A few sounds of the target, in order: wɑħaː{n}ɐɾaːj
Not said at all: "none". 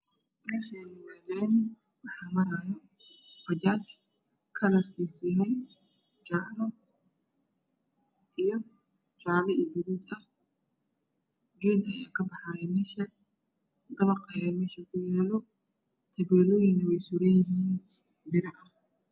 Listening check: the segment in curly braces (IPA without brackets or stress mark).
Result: m